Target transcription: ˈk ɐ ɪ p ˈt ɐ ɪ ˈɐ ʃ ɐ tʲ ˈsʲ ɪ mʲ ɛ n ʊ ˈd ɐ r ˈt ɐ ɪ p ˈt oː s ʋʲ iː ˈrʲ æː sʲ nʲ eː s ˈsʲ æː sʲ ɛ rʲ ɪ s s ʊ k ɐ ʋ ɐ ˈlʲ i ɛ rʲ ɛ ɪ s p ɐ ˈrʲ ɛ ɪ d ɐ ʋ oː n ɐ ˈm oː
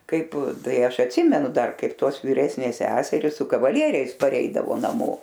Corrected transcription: ˈk ɐ ɪ p ˈt ɐ ɪ ˈɐ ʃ ɐ tʲ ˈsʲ ɪ mʲ ɛ n ʊ ˈd ɐ r ˈk ɐ ɪ p ˈt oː s ʋʲ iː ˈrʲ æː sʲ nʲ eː s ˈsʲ æː sʲ ɛ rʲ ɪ s s ʊ k ɐ ʋ ɐ ˈlʲ i ɛ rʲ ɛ ɪ s p ɐ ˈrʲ ɛ ɪ d ɐ ʋ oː n ɐ ˈm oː